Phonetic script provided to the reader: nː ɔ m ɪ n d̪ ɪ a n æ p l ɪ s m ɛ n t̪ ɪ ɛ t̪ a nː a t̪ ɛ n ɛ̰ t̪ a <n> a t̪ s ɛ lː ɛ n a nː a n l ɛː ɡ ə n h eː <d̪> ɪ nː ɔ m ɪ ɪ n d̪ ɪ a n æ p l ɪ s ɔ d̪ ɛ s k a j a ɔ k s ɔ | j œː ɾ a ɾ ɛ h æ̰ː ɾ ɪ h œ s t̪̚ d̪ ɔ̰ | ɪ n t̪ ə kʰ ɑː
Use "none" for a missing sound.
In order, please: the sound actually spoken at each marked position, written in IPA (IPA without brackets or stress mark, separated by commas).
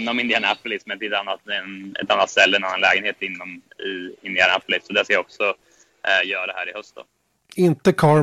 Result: nː, t̪